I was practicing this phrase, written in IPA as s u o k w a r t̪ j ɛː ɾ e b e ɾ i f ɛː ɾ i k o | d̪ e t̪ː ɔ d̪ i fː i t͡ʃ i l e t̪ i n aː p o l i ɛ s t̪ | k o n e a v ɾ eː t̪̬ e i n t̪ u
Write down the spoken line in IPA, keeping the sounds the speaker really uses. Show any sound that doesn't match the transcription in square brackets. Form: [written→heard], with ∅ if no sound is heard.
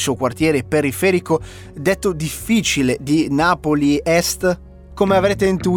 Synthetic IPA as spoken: s u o k w a r t̪ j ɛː ɾ e [b→p] e ɾ i f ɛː ɾ i k o | d̪ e t̪ː [ɔ→o] d̪ i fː i t͡ʃ i l e [t̪→d̪] i n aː p o l i ɛ s t̪ | k o [n→m] e a v ɾ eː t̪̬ e i n t̪ u